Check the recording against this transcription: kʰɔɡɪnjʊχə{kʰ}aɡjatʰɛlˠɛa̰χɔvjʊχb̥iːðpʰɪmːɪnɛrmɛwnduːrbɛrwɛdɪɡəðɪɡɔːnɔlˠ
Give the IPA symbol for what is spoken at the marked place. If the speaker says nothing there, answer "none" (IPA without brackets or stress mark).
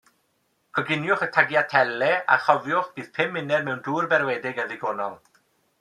tʰ